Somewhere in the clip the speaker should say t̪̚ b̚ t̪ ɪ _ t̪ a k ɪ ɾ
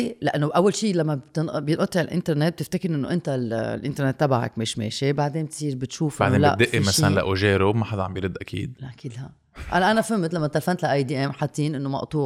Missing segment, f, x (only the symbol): f